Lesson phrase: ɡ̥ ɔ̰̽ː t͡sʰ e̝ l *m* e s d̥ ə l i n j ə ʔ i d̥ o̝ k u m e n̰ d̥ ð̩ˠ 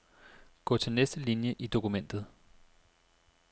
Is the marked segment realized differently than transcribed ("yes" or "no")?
yes